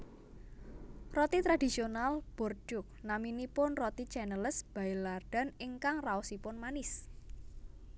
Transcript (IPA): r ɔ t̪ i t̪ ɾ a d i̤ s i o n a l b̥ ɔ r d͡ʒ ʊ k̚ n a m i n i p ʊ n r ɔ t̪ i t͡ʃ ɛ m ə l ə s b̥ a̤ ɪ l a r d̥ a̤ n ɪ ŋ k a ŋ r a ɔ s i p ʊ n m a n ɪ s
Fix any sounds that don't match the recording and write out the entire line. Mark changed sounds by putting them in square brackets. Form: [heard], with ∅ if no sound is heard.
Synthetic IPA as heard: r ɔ t̪ i t̪ ɾ a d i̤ s i o n a l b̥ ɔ r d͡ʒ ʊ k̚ n a m i n i p ʊ n r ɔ t̪ i t͡ʃ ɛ [n] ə l ə s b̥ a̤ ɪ l a r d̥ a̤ n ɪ ŋ k a ŋ r a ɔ s i p ʊ n m a n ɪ s